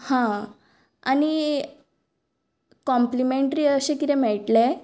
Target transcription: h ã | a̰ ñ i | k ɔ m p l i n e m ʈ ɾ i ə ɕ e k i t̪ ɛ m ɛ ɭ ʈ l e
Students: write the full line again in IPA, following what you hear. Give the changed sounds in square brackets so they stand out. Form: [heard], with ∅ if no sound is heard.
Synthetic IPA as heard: h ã | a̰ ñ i | k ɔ m p l i [m] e [ɳ] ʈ ɾ i ə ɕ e k i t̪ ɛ m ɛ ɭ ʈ l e